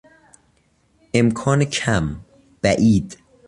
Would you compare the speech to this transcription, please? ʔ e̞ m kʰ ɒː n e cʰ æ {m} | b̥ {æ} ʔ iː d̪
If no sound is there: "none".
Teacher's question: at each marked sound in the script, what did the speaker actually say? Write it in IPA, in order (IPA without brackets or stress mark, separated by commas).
m, æ